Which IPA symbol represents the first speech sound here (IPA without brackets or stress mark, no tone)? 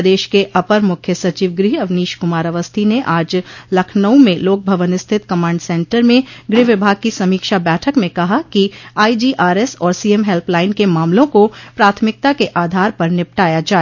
d̪